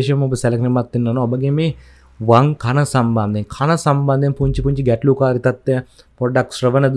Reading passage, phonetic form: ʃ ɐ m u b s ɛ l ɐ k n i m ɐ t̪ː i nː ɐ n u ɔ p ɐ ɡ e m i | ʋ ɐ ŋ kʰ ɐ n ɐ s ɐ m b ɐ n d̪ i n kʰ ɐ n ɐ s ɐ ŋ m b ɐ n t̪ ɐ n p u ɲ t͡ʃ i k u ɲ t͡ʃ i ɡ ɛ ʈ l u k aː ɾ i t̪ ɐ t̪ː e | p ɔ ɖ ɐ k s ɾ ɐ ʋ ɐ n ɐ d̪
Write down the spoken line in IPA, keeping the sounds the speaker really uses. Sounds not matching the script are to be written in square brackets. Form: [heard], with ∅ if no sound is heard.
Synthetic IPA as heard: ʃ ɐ m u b s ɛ l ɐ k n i m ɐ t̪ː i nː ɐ n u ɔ [b] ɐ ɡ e m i | ʋ ɐ ŋ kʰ ɐ n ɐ s ɐ m b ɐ n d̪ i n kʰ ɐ n ɐ s ɐ [∅] m b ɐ n [d̪] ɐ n p u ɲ t͡ʃ i [p] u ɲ t͡ʃ i ɡ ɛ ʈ l u k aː ɾ i t̪ ɐ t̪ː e | p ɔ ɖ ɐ k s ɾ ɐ ʋ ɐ n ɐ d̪